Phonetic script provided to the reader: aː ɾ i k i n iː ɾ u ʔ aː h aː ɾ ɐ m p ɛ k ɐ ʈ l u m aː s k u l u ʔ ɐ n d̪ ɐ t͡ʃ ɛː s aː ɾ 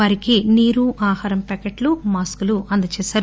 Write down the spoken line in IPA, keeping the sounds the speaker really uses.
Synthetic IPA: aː ɾ i k i n iː ɾ u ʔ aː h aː ɾ ɐ m p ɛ k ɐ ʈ l u m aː s k u l u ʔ ɐ n d̪ ɐ t͡ʃ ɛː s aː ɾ

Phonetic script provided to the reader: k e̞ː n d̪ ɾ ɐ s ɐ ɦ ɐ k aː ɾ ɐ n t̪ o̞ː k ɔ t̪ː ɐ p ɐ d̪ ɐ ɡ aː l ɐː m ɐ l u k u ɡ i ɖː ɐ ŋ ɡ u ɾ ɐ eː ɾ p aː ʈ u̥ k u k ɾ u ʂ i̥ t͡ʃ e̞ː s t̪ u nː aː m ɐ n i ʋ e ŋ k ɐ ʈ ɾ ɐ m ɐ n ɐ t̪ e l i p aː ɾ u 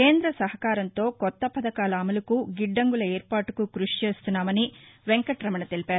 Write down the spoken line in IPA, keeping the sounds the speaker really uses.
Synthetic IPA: k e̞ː n d̪ ɾ ɐ s ɐ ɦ ɐ k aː ɾ ɐ n t̪ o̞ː k ɔ t̪ː ɐ p ɐ d̪ ɐ k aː l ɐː m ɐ l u k u ɡ i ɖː ɐ ŋ ɡ u l ɐ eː ɾ p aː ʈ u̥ k u k ɾ u ʂ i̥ t͡ʃ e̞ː s t̪ u nː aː m ɐ n i ʋ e ŋ k ɐ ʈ ɾ ɐ m ɐ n ɐ t̪ e l i p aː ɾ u

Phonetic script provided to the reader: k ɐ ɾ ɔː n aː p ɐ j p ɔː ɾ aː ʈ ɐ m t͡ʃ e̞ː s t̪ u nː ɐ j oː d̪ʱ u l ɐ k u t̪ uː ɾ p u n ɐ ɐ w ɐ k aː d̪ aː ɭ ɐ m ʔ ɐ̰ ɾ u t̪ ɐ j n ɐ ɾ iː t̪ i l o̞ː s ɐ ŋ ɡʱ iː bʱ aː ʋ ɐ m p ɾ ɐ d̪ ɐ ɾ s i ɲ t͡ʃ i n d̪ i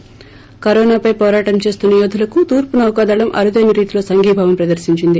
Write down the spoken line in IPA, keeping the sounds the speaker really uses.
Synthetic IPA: k ɐ ɾ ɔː n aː p ɐ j p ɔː ɾ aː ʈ ɐ m t͡ʃ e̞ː s t̪ u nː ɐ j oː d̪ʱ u l ɐ k u t̪ uː ɾ p u n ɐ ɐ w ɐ k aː d̪ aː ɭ ɐ m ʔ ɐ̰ ɾ u d̪ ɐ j n ɐ ɾ iː t̪ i l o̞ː s ɐ ŋ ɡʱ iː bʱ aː ʋ ɐ m p ɾ ɐ d̪ ɐ ɾ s i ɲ t͡ʃ i n d̪ i

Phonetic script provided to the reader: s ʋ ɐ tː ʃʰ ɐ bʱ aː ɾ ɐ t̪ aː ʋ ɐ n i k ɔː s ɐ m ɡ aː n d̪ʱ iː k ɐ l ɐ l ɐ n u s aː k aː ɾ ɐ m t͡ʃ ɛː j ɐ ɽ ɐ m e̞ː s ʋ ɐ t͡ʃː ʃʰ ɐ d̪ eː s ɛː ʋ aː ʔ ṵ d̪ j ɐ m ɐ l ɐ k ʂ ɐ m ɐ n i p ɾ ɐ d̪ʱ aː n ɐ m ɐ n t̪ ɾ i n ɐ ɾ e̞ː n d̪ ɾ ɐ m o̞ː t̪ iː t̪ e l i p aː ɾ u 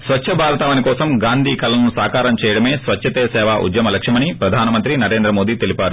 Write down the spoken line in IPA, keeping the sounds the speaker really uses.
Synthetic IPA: s ʋ ɐ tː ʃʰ ɐ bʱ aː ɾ ɐ t̪ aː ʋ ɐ n i k ɔː s ɐ m ɡ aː n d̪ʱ iː k ɐ l ɐ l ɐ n u s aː k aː ɾ ɐ m t͡ʃ ɛː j ɐ ɽ ɐ m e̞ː s ʋ ɐ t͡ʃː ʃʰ ɐ t̪ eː s ɛː ʋ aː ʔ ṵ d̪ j ɐ m ɐ l ɐ k ʂ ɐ m ɐ n i p ɾ ɐ d̪ʱ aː n ɐ m ɐ n t̪ ɾ i n ɐ ɾ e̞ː n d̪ ɾ ɐ m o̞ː d̪ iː t̪ e l i p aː ɾ u

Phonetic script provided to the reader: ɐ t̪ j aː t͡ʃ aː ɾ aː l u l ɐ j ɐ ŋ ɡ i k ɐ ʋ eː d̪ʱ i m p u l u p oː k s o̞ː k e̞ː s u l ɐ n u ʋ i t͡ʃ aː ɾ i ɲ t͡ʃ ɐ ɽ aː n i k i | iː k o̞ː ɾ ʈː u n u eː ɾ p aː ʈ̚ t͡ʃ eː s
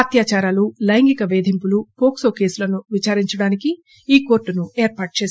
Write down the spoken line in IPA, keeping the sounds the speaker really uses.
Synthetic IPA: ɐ t̪ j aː t͡ʃ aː ɾ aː l u l ɐ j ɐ ŋ ɡ i k ɐ ʋ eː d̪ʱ i m p u l u p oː k s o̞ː k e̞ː s u l ɐ n u ʋ i t͡ʃ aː ɾ i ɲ t͡ʃ ɐ ɽ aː n i k i | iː k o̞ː ɾ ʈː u n u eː ɾ p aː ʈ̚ t͡ʃ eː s

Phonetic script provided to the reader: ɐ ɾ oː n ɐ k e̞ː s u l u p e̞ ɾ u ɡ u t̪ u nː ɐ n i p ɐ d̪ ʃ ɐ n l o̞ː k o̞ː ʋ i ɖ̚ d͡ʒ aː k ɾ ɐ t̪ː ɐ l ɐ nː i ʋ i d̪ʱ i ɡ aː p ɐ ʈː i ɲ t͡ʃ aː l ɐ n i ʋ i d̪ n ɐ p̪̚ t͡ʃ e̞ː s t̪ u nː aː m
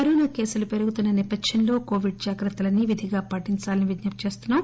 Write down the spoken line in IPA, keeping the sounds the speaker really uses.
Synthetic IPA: ɐ ɾ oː n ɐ k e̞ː s u l u p e̞ ɾ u ɡ u t̪ u nː ɐ n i p ɐ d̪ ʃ ɐ n l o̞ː k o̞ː ʋ i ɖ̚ d͡ʒ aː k ɾ ɐ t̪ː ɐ l ɐ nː i ʋ i d̪ʱ i ɡ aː p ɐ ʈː i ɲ t͡ʃ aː l ɐ n i ʋ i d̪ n ɐ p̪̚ t͡ʃ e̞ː s t̪ u nː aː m

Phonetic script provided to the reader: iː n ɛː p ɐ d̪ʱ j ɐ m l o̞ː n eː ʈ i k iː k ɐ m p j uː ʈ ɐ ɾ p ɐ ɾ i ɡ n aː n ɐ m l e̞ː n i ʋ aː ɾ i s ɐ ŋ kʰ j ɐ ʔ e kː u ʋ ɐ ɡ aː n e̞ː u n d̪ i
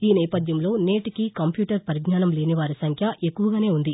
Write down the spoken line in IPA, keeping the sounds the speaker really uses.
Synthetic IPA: iː n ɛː p ɐ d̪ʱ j ɐ m l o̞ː n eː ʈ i k i k ɐ m p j uː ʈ ɐ ɾ p ɐ ɾ i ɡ n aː n ɐ m l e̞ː n i ʋ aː ɾ i s ɐ ŋ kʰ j ɐ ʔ e kː u ʋ ɐ ɡ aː n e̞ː u n d̪ i

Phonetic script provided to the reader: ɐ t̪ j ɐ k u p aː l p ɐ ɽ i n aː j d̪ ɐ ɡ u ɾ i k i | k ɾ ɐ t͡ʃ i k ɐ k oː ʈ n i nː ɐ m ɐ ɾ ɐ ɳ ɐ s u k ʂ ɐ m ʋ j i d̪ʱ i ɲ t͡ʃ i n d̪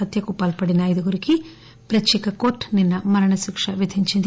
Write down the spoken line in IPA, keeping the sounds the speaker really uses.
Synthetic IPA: ɐ t̪ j ɐ k u p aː l p ɐ ɽ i n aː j d̪ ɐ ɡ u ɾ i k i | p ɾ ɐ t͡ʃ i k ɐ k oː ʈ n i nː ɐ m ɐ ɾ ɐ ɳ ɐ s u k ʂ ɐ ʋ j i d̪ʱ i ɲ t͡ʃ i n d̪

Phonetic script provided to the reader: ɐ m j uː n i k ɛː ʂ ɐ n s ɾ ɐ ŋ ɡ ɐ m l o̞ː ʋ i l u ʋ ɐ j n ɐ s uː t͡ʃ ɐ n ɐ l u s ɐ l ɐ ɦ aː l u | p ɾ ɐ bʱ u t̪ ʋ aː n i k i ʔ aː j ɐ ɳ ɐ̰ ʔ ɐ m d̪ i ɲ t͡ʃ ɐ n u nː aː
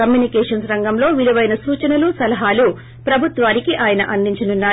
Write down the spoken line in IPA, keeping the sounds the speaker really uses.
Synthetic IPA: ɐ m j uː n i k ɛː ʂ ɐ n s ɾ ɐ ŋ ɡ ɐ m l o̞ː ʋ i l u ʋ ɐ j n ɐ s uː t͡ʃ ɐ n ɐ l u s ɐ l ɐ ɦ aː l u | p ɾ ɐ bʱ u t̪ ʋ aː n i k i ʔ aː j ɐ n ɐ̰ ʔ ɐ n d̪ i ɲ t͡ʃ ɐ n u nː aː

